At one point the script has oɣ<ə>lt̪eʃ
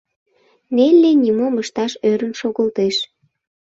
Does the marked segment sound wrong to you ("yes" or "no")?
no